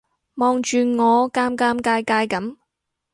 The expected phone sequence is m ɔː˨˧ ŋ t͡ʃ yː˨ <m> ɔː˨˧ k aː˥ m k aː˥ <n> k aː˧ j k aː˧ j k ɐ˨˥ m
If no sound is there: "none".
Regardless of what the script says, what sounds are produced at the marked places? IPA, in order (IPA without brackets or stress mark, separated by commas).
ŋ, m